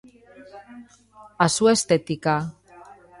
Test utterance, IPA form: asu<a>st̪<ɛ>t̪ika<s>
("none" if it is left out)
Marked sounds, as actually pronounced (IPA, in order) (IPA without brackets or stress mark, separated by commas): e, e, none